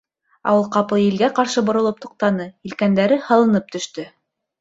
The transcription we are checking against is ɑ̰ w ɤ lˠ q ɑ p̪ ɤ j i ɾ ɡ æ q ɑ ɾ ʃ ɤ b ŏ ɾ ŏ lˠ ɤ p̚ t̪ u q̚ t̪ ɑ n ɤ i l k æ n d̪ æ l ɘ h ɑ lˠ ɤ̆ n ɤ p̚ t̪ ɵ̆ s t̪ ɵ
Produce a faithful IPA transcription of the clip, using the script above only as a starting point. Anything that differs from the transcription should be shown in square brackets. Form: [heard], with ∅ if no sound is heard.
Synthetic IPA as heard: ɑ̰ w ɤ lˠ q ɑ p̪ ɤ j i [l] ɡ æ q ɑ ɾ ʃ ɤ b ŏ ɾ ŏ lˠ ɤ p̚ t̪ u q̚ t̪ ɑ n ɤ i l k æ n d̪ æ [ɾ] ɘ h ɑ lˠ ɤ̆ n ɤ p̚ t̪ ɵ̆ [ʃ] t̪ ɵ